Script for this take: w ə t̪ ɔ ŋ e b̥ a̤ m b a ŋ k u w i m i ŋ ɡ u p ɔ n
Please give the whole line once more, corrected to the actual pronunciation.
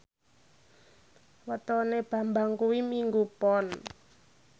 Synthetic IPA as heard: w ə t̪ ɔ n e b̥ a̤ m b a ŋ k u w i m i ŋ ɡ u p ɔ n